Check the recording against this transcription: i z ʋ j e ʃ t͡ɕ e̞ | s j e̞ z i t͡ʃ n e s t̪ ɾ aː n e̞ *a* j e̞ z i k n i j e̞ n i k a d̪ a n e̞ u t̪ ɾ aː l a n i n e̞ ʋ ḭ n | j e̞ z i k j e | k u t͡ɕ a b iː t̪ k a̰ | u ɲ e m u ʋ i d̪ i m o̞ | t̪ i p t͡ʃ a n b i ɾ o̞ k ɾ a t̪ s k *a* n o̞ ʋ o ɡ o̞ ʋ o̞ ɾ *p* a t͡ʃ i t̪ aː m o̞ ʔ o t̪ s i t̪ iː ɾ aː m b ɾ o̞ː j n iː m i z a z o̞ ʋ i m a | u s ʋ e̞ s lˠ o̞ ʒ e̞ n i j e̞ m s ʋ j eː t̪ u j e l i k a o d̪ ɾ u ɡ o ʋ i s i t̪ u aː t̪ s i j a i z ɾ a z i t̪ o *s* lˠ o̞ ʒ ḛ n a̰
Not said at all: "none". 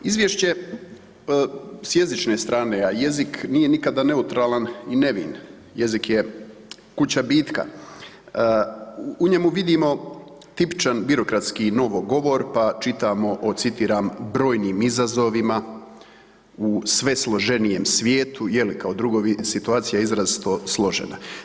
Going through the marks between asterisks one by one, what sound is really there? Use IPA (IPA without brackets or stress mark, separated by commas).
a, i, p, s